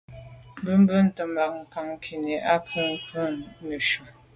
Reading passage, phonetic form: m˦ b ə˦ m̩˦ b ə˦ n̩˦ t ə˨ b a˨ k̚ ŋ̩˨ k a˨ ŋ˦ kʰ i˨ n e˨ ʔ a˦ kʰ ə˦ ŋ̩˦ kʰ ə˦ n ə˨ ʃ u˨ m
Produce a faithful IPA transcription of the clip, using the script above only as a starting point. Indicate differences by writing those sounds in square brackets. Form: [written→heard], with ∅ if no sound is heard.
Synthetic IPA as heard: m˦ b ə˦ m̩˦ b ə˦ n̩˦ t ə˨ [b→m] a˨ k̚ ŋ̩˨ k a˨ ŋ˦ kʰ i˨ n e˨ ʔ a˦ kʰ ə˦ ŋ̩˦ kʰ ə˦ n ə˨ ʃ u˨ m